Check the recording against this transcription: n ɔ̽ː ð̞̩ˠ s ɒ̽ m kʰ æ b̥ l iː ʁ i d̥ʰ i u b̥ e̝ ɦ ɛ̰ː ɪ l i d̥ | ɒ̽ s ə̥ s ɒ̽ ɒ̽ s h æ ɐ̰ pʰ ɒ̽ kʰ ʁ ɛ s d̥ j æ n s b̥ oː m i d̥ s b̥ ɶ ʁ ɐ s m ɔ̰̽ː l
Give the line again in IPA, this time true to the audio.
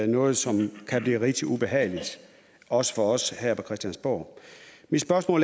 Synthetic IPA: n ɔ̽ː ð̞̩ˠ s ɒ̽ m kʰ æ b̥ l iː ʁ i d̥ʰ i u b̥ e̝ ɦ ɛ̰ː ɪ l i d̥ | ɒ̽ s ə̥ f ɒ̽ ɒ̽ s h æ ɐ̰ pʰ ɒ̽ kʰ ʁ ɛ s d̥ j æ n s b̥ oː m i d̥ s b̥ ɶ ɐ s m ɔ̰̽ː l

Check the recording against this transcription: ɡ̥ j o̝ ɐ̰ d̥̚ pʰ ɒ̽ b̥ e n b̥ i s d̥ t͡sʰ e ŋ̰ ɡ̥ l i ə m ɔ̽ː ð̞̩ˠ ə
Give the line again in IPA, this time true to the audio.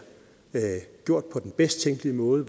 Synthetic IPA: ɡ̥ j o̝ ɐ̰ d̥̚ pʰ ɒ̽ d̥ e n b̥ e s d̥ t͡sʰ e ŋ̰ ɡ̥ l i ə m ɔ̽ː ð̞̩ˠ ə

